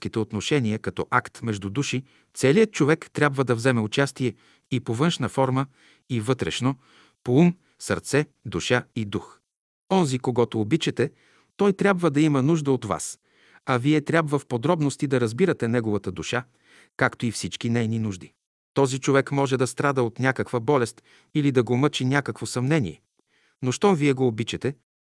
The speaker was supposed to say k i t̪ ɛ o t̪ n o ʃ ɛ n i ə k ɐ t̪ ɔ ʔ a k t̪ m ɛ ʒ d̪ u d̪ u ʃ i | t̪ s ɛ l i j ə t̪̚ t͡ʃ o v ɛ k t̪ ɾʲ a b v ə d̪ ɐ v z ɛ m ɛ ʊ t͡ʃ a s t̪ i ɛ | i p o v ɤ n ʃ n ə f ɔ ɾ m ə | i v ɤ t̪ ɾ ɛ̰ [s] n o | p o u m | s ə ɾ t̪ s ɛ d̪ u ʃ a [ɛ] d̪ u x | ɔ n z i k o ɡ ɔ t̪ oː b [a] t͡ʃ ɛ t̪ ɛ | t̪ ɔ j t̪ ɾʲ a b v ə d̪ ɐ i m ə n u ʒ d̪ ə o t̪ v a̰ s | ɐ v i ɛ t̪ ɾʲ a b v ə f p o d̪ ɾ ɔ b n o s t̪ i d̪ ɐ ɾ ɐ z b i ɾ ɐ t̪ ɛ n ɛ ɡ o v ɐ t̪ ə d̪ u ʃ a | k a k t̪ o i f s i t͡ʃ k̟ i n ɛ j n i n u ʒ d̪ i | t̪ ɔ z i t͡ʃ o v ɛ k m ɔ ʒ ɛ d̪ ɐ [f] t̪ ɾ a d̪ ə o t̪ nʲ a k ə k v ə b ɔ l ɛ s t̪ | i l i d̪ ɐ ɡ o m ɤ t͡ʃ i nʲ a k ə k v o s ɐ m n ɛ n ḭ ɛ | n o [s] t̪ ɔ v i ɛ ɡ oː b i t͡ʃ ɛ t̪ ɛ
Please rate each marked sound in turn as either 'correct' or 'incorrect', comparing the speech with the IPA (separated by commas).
incorrect, incorrect, incorrect, incorrect, incorrect